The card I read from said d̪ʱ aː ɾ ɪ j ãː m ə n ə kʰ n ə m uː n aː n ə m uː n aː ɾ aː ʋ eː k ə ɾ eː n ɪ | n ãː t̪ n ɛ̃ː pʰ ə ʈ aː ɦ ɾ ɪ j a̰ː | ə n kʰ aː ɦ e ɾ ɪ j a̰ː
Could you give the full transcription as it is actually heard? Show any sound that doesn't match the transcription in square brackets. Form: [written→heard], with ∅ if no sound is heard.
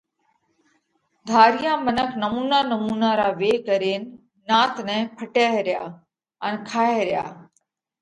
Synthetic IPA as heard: d̪ʱ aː ɾ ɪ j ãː m ə n ə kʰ n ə m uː n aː n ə m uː n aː ɾ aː ʋ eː k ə ɾ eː n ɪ | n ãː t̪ n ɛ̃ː pʰ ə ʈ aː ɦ ɾ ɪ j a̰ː | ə n kʰ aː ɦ e ɾ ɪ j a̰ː